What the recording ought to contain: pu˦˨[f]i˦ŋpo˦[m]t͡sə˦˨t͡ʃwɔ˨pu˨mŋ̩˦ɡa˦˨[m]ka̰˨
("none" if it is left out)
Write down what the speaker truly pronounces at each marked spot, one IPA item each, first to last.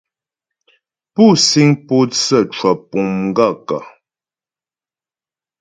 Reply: s, none, none

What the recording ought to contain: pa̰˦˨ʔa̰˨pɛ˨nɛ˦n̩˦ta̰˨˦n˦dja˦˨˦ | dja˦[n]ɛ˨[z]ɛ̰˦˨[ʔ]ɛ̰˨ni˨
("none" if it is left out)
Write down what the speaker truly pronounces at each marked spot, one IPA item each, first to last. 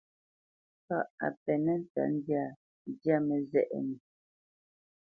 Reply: m, z, ʔ

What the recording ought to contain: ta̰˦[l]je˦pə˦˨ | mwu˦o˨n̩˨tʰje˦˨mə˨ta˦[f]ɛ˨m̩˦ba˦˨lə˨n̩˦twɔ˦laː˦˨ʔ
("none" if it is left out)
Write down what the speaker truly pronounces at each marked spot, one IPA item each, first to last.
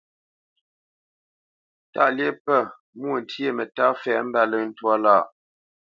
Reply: l, f

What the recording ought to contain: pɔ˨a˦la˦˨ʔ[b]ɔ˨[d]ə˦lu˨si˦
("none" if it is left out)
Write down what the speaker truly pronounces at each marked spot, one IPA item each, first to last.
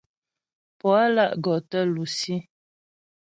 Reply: ɡ, t

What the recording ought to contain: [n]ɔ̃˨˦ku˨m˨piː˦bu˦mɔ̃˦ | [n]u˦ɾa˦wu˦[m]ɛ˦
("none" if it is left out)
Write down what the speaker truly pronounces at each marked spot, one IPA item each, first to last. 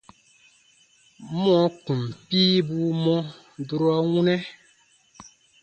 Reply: m, d, n

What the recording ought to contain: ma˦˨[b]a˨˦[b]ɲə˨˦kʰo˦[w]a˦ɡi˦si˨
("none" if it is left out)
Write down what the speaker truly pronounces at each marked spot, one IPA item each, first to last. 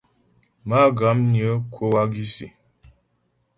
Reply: ɡ, m, w

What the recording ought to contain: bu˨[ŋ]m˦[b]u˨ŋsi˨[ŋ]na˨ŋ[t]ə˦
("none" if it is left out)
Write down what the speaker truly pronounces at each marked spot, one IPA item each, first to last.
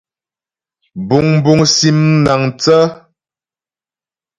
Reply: ŋ, b, m, t͡s

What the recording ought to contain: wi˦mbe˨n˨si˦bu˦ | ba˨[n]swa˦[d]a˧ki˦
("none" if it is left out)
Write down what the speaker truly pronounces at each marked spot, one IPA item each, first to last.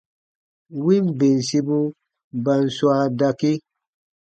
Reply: n, d

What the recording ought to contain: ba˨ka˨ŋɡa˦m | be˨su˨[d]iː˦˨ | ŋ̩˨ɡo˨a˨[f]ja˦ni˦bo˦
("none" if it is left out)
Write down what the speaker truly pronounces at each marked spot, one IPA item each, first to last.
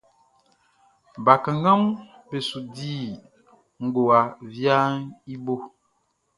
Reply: d, v

